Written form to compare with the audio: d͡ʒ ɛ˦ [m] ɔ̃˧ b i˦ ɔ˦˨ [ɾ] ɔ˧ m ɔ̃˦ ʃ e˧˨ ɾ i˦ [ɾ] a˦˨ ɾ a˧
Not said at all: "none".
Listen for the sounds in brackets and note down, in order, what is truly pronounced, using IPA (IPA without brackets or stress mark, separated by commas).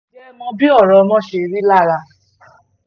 m, ɾ, l